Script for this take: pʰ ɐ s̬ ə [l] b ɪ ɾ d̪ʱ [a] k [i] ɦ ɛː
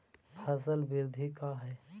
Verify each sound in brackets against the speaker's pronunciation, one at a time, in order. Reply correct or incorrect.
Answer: correct, incorrect, incorrect

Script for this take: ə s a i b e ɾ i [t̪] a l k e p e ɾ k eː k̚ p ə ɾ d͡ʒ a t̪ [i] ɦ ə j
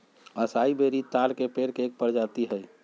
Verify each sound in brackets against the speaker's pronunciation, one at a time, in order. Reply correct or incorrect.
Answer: correct, correct

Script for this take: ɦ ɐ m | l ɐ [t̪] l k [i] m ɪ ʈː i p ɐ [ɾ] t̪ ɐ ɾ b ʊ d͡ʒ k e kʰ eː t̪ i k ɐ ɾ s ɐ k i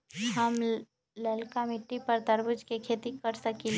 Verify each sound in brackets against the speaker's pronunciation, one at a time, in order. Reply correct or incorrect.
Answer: incorrect, incorrect, correct

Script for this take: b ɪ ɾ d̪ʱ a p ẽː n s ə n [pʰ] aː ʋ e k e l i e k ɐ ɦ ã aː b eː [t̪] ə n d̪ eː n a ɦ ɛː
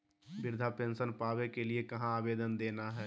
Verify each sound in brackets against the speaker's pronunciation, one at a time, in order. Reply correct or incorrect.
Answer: incorrect, incorrect

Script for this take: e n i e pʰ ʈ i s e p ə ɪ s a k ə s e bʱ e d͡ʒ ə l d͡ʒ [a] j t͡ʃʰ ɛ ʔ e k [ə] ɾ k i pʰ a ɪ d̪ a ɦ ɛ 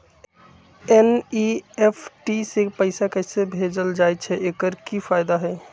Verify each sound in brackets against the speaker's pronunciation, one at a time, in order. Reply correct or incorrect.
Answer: correct, correct

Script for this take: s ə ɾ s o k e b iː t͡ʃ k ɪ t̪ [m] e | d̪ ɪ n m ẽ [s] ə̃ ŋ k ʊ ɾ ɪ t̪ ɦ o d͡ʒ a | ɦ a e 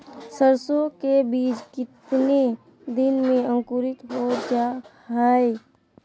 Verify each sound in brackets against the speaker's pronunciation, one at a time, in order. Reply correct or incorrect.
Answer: incorrect, incorrect

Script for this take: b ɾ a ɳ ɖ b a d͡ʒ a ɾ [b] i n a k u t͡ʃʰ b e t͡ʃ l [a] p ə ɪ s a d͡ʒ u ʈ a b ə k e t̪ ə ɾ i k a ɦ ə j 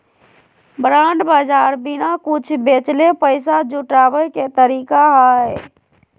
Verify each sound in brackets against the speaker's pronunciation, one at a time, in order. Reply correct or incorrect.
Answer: correct, incorrect

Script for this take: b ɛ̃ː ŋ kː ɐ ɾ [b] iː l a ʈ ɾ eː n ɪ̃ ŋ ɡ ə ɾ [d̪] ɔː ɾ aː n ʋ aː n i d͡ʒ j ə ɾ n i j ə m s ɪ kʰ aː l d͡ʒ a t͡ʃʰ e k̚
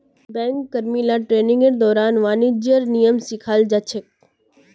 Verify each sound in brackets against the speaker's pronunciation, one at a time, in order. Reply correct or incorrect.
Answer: incorrect, correct

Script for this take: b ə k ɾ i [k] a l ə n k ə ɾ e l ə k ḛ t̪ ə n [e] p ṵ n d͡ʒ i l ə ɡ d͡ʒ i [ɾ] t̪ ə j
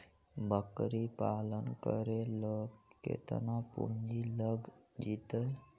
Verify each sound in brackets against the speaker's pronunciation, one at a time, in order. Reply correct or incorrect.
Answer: incorrect, incorrect, incorrect

